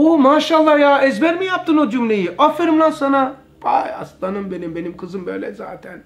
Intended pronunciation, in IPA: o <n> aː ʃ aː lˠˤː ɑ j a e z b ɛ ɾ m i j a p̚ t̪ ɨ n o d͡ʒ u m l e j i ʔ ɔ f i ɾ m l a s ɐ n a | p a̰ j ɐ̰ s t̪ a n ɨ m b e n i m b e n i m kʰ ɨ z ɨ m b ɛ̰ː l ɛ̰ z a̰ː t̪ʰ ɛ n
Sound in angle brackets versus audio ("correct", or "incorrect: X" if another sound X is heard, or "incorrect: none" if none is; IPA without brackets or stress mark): incorrect: m